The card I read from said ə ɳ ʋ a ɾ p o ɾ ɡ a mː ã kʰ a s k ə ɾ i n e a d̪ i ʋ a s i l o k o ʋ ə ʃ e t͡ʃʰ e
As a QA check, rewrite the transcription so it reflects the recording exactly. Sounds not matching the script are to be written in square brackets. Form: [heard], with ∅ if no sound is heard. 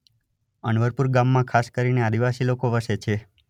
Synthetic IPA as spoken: ə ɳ ʋ [ə] ɾ p [u] ɾ ɡ a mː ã kʰ a s k ə ɾ i n e a d̪ i ʋ a s i l o k o ʋ ə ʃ e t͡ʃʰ e